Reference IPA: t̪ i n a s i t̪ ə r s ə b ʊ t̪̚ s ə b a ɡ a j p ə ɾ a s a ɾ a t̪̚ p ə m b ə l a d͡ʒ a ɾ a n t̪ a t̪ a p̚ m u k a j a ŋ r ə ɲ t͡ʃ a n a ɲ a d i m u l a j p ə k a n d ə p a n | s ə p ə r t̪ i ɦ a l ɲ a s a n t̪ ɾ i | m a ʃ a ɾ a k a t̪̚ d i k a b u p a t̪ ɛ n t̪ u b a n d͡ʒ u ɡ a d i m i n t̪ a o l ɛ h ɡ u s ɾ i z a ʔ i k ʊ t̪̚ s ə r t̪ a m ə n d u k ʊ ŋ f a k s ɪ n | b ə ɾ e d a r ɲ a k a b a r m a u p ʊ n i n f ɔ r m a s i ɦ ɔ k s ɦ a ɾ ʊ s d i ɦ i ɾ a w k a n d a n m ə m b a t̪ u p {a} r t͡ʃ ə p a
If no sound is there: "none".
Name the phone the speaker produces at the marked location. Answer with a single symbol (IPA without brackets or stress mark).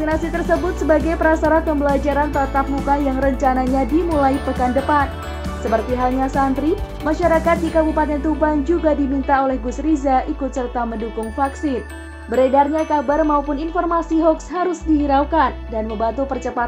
ə